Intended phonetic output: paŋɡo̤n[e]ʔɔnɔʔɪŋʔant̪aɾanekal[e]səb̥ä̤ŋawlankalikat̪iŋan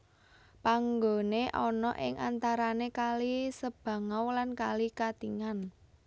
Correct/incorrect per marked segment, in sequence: correct, incorrect: i

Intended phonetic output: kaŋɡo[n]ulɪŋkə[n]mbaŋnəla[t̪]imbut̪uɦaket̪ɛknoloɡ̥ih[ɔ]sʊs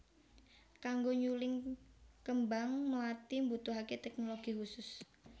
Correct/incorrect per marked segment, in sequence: incorrect: ɲ, incorrect: none, correct, incorrect: u

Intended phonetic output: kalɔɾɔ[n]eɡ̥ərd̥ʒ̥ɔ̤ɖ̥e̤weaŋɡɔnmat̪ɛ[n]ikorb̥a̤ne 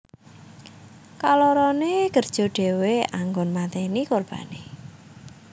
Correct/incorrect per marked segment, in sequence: correct, correct

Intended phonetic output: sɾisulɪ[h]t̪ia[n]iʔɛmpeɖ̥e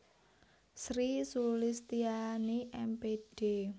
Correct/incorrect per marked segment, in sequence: incorrect: s, correct

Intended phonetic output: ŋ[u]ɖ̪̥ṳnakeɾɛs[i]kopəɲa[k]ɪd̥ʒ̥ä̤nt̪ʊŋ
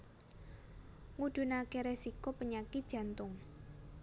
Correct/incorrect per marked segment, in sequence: correct, correct, correct

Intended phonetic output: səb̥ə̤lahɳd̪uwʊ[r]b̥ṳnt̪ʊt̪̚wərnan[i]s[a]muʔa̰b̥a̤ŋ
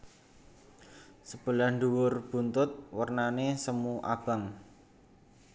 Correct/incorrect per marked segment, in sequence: correct, incorrect: e, incorrect: ə

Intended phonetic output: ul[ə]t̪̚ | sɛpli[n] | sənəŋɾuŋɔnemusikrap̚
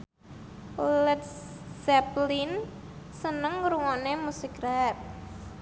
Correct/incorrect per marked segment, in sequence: correct, correct

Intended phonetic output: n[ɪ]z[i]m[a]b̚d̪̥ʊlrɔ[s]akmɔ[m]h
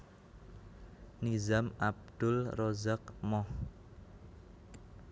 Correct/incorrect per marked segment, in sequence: incorrect: i, incorrect: a, correct, incorrect: z, incorrect: none

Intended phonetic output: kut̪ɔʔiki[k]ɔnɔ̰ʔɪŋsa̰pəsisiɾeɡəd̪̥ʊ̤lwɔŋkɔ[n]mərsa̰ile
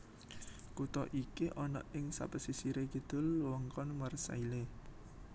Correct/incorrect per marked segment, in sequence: incorrect: ʔ, correct

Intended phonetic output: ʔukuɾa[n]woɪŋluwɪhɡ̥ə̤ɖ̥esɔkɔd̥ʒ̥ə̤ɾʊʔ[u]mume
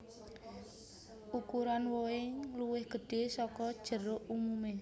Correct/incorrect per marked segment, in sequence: correct, correct

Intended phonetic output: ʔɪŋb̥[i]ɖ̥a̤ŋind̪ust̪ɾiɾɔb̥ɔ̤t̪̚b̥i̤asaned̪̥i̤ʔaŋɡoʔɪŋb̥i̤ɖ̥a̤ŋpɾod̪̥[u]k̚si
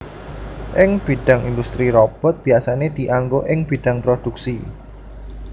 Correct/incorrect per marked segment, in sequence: correct, correct

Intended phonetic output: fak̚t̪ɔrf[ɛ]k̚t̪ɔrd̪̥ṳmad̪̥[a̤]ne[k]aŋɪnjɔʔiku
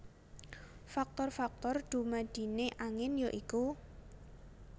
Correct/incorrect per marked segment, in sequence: incorrect: a, incorrect: i̤, incorrect: ʔ

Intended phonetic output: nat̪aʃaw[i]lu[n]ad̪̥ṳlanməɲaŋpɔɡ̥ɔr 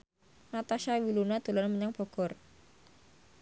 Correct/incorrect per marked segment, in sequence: correct, correct

